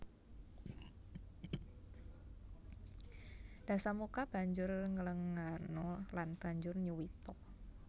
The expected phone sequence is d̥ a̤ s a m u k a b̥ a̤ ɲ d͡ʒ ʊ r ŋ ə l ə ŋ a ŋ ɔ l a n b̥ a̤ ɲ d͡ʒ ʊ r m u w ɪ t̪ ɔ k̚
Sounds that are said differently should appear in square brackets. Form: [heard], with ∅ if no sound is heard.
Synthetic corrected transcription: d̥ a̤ s a m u k a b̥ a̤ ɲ d͡ʒ ʊ r ŋ ə l ə ŋ a [n] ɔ l a n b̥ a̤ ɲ d͡ʒ ʊ r [ɲ] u w [i] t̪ ɔ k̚

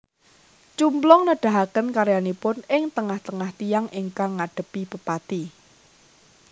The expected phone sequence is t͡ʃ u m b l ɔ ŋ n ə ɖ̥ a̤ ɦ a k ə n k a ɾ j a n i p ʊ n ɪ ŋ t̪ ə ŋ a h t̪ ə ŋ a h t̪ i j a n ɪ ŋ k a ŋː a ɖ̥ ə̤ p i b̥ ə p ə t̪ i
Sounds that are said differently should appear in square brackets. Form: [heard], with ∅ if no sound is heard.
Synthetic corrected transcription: t͡ʃ u m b l ɔ ŋ n ə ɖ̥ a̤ ɦ a k ə n k a ɾ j a n i p ʊ n ɪ ŋ t̪ ə ŋ a h t̪ ə ŋ a h t̪ i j a [ŋ] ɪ ŋ k a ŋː a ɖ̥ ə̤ p i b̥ ə p [a] t̪ i

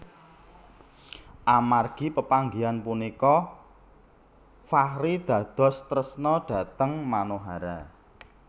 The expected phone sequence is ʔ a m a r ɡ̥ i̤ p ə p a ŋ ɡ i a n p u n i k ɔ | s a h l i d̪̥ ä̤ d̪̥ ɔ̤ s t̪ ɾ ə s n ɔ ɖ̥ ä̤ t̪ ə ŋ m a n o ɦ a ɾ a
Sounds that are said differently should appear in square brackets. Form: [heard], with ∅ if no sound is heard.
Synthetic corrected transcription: ʔ a m a r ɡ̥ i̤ p ə p a ŋ ɡ i a n p u n i k ɔ | [f] a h [ɾ] i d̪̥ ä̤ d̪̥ ɔ̤ s t̪ ɾ ə s n ɔ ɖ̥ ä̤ t̪ ə ŋ m a n o ɦ a ɾ a

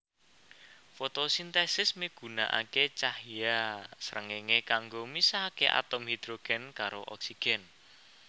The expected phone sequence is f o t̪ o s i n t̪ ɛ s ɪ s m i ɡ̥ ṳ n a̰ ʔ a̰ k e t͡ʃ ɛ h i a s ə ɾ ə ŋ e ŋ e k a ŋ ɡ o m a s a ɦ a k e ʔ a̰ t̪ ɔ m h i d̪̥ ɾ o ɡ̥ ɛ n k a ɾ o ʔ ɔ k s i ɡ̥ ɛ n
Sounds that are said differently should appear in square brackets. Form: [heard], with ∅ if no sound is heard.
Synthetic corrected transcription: f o t̪ o s i n t̪ ɛ s ɪ s m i ɡ̥ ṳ n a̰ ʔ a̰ k e t͡ʃ [a] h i a s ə ɾ ə ŋ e ŋ e k a ŋ ɡ o m [i] s a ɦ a k e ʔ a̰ t̪ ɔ m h i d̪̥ ɾ o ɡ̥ ɛ n k a ɾ o ʔ ɔ k s i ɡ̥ ɛ n

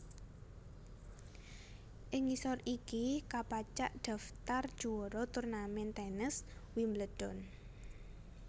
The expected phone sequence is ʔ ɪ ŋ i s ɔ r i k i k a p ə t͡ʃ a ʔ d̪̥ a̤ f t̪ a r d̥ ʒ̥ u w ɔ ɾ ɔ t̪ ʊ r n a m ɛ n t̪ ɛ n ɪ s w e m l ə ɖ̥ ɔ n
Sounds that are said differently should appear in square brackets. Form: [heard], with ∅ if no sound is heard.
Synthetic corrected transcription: ʔ ɪ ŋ i s ɔ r i k i k a p [a] t͡ʃ a ʔ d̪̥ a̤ f t̪ a r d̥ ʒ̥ u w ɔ ɾ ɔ t̪ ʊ r n a m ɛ n t̪ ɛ n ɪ s w [i] m l ə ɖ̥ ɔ n

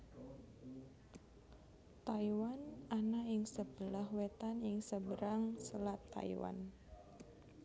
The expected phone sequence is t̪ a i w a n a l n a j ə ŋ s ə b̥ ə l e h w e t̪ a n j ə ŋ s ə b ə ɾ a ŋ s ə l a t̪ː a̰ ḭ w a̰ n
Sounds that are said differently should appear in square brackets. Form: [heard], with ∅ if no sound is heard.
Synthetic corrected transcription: t̪ a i w a n a [∅] n a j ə ŋ s ə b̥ ə l [a] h w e t̪ a n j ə ŋ s ə b ə ɾ a ŋ s ə l a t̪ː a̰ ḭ w a̰ n

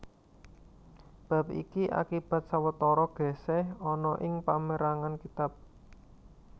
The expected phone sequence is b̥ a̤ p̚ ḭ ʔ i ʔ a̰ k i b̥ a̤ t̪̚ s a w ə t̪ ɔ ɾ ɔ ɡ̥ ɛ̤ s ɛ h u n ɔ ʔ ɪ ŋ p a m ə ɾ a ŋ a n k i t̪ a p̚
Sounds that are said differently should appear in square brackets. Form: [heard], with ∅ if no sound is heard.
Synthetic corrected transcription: b̥ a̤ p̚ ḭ [k] i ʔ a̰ k i b̥ a̤ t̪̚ s a w ə t̪ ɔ ɾ ɔ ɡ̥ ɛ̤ s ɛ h [ɔ] n ɔ ʔ ɪ ŋ p a m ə ɾ a ŋ a n k i t̪ a p̚

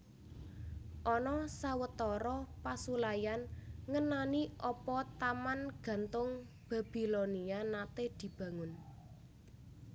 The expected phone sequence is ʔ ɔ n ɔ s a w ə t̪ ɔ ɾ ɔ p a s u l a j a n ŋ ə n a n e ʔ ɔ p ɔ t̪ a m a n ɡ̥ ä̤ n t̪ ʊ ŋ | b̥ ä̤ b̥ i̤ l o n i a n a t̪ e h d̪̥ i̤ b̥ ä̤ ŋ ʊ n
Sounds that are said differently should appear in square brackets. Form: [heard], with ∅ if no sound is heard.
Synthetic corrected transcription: ʔ ɔ n ɔ s a w ə t̪ ɔ ɾ ɔ p a s u l a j a n ŋ ə n a n [i] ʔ ɔ p ɔ t̪ a m a n ɡ̥ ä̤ n t̪ ʊ ŋ | b̥ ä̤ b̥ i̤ l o n i a n a t̪ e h d̪̥ i̤ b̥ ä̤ ŋ ʊ n

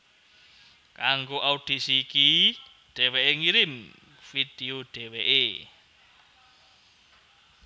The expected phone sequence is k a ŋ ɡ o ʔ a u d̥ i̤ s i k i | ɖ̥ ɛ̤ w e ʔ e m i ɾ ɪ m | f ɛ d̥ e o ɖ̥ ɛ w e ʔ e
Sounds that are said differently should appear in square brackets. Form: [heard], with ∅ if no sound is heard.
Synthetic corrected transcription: k a ŋ ɡ o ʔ a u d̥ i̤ s i k i | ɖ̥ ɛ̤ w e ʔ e [ŋ] i ɾ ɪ m | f [i] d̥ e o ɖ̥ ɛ w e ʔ e

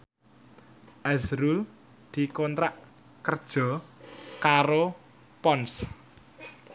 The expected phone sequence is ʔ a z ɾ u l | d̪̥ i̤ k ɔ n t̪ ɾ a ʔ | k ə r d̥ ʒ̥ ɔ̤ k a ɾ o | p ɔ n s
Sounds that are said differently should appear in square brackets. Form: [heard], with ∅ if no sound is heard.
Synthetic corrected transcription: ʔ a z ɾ u l | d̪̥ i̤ k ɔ n t̪ ɾ a ʔ | k ə r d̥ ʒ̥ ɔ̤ k a ɾ o | p ɔ n s

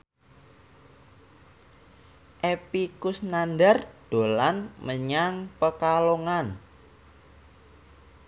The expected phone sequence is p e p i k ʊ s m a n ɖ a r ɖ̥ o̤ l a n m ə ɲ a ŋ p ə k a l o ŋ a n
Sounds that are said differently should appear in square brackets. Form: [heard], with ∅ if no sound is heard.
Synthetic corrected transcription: [ʔ] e p i k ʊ s [n] a n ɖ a r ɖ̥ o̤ l a n m ə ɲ a ŋ p ə k a l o ŋ a n

